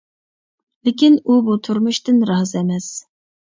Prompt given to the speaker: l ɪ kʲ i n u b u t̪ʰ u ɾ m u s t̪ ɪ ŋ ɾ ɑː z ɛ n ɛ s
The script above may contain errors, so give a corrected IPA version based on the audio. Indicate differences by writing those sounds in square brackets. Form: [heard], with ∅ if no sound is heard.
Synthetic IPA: l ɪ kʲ i n u b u t̪ʰ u ɾ m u [ʃ] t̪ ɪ [n] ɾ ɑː z ɛ [m] ɛ s